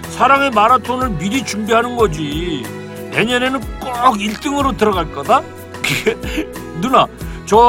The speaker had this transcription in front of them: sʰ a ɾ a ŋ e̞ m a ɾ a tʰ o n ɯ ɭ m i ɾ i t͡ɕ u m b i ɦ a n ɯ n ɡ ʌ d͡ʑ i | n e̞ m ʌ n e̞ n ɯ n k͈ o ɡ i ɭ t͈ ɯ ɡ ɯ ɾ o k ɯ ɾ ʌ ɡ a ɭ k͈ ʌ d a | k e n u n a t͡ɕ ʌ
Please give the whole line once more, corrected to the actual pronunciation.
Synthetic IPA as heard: sʰ a ɾ a ŋ e̞ m a ɾ a tʰ o n ɯ ɭ m i ɾ i t͡ɕ u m b i ɦ a n ɯ n ɡ ʌ d͡ʑ i | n e̞ ɲ ʌ n e̞ n ɯ n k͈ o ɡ i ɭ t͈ ɯ ŋ ɯ ɾ o t ɯ ɾ ʌ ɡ a ɭ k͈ ʌ d a | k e n u n a t͡ɕ ʌ